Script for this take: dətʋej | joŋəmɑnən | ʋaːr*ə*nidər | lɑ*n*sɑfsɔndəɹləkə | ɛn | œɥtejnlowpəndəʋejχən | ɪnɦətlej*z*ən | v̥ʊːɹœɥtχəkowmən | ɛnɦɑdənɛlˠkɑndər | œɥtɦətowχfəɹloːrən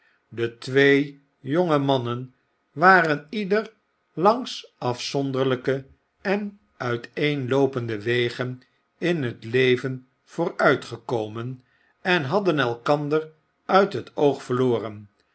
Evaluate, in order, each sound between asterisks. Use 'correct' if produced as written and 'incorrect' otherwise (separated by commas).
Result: correct, incorrect, incorrect